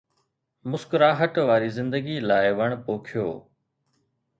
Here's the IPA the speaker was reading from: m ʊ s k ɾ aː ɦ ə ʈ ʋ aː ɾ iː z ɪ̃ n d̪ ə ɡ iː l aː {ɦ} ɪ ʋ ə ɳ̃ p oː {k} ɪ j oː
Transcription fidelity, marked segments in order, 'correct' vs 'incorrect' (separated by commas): incorrect, incorrect